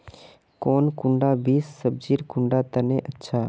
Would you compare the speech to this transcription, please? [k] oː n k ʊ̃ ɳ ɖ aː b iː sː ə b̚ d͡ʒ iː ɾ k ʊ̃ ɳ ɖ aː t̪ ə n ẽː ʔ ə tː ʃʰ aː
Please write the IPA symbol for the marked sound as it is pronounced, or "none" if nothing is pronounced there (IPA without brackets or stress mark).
k